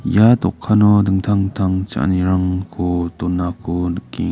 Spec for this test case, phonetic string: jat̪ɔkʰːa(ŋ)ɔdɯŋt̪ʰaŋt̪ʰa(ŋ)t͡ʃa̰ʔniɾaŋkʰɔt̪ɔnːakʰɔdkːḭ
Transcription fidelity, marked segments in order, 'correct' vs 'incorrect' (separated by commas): incorrect, correct